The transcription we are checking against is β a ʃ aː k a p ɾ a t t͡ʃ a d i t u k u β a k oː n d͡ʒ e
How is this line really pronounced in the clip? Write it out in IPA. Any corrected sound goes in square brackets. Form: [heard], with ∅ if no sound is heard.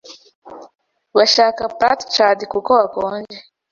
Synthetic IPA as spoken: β a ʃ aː k a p ɾ a t t͡ʃ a d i [k] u k [o] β a k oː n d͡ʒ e

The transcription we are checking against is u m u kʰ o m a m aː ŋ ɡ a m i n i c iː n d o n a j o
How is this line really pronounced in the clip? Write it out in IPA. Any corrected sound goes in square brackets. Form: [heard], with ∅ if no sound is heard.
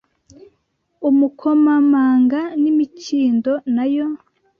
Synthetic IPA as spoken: u m u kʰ o m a m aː ŋ ɡ a [n] i [m] i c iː n d o n a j o

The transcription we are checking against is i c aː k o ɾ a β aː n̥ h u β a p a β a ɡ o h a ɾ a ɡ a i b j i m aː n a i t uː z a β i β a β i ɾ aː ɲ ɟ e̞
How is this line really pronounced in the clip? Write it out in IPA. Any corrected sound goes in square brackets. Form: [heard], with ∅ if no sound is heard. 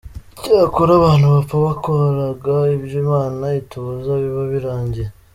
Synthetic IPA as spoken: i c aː k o ɾ a β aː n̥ h u β a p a β a [k] o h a ɾ a ɡ a i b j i m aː n a i t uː z a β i β a β i ɾ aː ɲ ɟ e̞

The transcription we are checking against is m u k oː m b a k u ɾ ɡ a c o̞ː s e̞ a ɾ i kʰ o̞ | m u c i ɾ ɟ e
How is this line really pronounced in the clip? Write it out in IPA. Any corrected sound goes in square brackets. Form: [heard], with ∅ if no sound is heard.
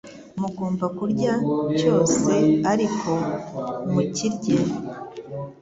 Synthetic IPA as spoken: m u [ɡ] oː m b a k u ɾ [ɟ] a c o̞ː s e̞ a ɾ i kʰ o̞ | m u c i ɾ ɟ e

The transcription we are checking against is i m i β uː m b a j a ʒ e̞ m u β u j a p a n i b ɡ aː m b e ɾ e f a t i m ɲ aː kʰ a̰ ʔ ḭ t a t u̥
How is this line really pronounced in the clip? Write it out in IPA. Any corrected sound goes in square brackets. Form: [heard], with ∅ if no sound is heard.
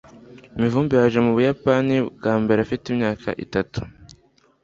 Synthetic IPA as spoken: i m i [v] uː m b [i] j a ʒ e̞ m u β u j a p a n i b ɡ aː m b e ɾ [a] f [i] t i m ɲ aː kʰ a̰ ʔ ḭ t a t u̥

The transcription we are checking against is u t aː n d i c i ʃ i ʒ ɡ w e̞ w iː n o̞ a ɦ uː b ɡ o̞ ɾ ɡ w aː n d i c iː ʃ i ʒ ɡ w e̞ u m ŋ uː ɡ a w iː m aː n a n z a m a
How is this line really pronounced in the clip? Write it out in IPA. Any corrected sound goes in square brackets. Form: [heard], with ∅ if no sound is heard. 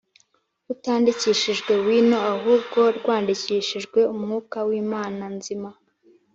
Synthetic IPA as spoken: u t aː n d i c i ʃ i ʒ ɡ w e̞ w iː n o̞ a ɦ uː b ɡ o̞ ɾ ɡ w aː n d i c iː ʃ i ʒ ɡ w e̞ u m ŋ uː [k] a w iː m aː n a n z [i] m a

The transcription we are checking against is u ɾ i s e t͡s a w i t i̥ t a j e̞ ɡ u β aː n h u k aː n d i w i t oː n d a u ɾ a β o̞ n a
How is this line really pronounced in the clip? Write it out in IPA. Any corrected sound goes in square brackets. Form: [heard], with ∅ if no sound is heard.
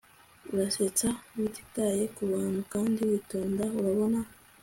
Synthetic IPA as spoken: u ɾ [a] s e t͡s a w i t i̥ t a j e̞ [k] u β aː n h u k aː n d i w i t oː n d a u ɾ a β o̞ n a

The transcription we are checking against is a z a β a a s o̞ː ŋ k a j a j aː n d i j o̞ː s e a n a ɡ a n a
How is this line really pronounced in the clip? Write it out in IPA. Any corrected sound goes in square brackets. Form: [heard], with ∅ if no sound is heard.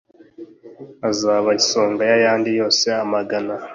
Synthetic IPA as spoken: a z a β a [i] s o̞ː ŋ [ɡ] a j a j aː n d i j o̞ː s e a [m] a ɡ a n a

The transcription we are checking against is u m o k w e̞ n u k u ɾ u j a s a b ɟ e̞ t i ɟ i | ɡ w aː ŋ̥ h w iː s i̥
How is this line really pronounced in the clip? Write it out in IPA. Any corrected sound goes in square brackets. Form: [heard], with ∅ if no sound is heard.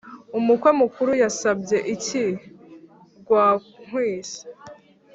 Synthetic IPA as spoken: u m [u] k w e̞ [m] u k u ɾ u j a s a b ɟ e̞ [ʔ] i [c] i | ɡ w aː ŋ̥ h w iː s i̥

